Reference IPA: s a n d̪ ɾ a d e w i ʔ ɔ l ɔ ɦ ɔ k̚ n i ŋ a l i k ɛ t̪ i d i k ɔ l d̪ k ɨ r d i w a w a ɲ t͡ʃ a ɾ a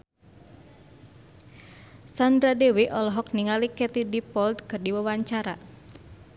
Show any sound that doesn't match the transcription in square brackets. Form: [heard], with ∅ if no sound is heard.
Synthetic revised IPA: s a n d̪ ɾ a d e w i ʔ ɔ l ɔ ɦ ɔ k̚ n i ŋ a l i k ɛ t̪ i d i [p] ɔ l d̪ k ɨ r d i w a w a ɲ t͡ʃ a ɾ a